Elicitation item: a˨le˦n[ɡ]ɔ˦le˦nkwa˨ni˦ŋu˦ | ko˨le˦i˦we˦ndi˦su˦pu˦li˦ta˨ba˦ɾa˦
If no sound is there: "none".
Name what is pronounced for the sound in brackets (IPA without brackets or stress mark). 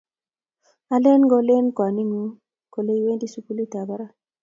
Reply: ɡ